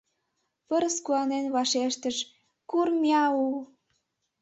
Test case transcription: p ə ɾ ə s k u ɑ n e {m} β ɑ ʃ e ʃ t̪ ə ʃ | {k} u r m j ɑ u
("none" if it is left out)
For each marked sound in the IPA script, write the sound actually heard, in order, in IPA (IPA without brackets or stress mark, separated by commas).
n, k